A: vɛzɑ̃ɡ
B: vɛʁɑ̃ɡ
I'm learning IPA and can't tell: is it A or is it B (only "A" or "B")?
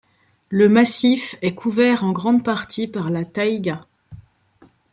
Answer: B